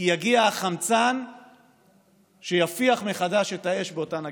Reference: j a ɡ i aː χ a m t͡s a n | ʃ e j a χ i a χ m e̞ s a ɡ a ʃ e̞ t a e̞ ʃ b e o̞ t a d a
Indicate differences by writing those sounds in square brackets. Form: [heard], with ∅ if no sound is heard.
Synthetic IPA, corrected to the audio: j a ɡ i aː χ a m t͡s a n | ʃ e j a [f] i a χ m e̞ [χ] a [d] a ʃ e̞ t a e̞ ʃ b e o̞ t a [n] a